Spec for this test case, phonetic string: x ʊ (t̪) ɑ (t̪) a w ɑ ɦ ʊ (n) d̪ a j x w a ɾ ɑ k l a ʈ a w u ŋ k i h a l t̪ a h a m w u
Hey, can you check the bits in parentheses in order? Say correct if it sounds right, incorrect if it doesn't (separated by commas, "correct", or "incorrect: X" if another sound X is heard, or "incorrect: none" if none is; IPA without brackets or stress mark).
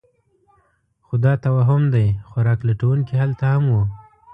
incorrect: d̪, correct, incorrect: m